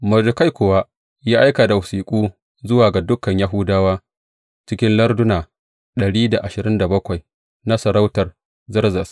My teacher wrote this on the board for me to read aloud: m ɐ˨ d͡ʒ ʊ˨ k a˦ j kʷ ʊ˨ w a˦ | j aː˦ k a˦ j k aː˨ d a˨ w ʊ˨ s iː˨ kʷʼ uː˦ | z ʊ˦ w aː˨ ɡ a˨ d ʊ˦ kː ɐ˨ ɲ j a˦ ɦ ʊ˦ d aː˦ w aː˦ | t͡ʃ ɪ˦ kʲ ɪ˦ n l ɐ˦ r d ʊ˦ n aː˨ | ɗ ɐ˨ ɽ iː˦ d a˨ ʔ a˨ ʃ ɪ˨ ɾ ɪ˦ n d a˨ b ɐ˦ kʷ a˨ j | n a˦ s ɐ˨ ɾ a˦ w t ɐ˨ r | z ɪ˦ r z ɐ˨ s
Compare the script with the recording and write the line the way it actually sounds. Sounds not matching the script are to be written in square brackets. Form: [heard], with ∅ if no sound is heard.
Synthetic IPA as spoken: m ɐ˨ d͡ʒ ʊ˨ k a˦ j kʷ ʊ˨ w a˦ | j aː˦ [ʔ] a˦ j k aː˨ d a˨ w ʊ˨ s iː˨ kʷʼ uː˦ | z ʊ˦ w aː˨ ɡ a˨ d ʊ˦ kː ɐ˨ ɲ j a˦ ɦ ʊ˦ d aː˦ w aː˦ | t͡ʃ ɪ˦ kʲ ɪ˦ n l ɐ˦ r d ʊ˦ n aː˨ | ɗ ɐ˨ ɽ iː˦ d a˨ ʔ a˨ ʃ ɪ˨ ɾ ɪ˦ n d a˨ b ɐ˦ kʷ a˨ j | n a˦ s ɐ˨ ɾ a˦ w t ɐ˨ r | z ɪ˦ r z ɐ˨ s